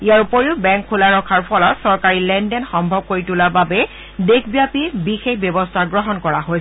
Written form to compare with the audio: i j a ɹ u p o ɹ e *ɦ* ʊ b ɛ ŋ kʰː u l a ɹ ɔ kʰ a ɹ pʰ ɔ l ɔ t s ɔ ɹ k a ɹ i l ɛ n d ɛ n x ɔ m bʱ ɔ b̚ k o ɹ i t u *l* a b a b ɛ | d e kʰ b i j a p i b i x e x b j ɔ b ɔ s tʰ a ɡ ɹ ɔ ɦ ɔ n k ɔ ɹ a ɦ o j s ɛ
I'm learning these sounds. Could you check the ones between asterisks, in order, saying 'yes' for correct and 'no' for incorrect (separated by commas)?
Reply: no, yes